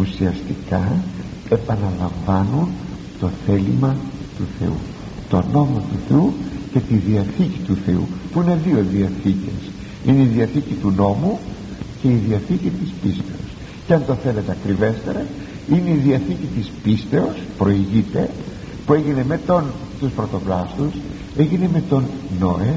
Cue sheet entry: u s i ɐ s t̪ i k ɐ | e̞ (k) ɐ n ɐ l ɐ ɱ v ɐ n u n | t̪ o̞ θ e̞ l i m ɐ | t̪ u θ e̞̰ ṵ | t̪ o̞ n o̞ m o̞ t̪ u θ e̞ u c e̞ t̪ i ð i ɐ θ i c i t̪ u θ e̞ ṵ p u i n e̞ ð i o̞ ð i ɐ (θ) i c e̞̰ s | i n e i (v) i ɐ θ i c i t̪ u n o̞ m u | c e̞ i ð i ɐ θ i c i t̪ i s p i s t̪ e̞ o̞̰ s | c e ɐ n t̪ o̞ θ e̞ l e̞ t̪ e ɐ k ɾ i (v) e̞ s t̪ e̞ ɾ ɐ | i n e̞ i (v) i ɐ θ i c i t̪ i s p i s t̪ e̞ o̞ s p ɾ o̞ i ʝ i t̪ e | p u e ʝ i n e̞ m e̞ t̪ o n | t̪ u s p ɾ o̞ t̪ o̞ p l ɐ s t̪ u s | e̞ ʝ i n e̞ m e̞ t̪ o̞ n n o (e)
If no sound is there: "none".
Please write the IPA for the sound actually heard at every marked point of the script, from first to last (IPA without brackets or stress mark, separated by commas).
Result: p, θ, ð, v, ð, e